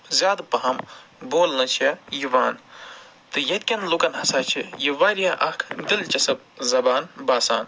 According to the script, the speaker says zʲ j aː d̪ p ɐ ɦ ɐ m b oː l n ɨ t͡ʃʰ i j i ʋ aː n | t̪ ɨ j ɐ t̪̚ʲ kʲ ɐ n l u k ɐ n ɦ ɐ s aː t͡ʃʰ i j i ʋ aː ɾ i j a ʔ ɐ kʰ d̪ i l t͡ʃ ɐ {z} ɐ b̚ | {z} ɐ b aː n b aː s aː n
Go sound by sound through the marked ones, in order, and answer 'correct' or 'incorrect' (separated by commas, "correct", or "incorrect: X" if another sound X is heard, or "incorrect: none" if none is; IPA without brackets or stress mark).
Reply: incorrect: s, correct